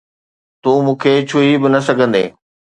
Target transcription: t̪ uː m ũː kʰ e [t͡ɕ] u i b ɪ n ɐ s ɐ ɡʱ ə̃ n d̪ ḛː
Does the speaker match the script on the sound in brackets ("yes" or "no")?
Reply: no